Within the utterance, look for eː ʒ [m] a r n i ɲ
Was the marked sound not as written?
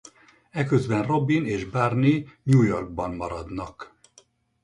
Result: yes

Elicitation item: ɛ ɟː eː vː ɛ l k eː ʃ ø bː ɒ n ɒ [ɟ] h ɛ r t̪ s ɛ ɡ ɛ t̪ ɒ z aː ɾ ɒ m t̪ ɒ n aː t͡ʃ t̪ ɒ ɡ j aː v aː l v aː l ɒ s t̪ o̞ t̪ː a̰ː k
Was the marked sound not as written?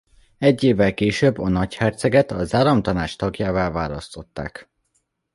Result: yes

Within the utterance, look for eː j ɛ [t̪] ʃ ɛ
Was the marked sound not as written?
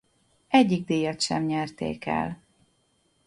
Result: no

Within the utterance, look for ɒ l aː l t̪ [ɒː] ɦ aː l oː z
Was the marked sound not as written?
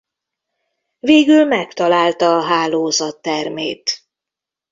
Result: no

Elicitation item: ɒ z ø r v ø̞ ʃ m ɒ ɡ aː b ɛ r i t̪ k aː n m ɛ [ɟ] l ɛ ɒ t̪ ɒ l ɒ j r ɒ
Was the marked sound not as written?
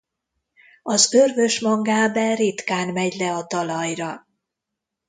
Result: no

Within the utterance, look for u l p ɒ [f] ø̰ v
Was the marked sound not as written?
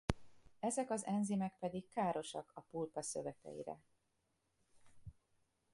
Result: yes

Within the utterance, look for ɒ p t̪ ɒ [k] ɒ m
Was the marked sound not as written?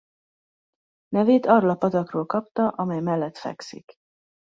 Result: yes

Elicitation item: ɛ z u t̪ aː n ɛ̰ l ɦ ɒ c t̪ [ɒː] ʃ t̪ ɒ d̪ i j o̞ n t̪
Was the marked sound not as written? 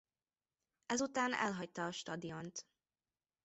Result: no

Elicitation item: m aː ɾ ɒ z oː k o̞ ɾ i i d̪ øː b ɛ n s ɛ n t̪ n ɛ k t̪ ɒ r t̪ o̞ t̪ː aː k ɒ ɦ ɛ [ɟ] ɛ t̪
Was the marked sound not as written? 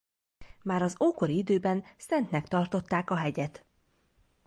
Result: no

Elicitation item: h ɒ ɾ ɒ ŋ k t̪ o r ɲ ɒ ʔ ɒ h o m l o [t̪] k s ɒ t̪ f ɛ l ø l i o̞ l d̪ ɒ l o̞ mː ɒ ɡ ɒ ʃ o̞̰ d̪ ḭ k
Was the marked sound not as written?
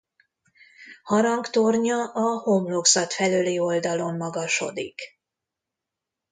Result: yes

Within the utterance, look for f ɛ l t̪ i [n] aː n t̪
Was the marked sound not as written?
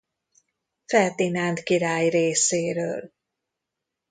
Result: no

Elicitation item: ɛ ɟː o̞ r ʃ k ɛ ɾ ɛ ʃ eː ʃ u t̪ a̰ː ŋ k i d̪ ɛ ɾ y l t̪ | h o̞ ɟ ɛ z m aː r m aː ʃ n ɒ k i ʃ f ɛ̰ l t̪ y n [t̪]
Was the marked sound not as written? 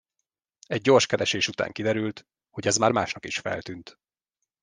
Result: no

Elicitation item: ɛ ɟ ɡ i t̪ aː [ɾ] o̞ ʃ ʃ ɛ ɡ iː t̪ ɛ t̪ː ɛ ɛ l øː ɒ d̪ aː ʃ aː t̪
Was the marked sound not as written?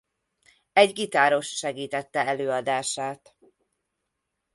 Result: no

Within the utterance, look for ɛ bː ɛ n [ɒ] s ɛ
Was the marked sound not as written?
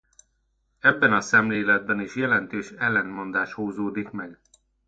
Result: no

